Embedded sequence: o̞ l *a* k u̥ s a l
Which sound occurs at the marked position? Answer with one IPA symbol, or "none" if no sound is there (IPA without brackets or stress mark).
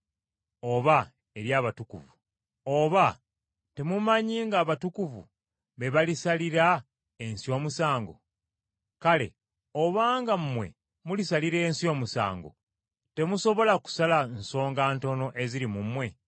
a